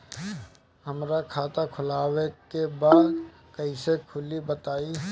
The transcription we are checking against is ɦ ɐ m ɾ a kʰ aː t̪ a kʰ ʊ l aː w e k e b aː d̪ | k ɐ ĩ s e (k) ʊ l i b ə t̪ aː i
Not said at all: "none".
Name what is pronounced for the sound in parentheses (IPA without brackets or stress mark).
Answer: kʰ